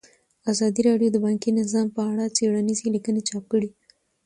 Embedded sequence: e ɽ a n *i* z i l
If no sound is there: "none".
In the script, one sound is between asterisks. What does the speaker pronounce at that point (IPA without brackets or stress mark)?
i